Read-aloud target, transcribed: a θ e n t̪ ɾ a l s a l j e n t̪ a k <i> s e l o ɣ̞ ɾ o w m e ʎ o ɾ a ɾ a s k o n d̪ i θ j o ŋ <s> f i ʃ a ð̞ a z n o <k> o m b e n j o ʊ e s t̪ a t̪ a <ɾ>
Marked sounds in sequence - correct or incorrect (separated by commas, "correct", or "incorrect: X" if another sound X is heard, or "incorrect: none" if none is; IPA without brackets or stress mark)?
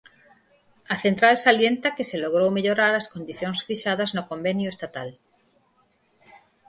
incorrect: e, correct, correct, incorrect: l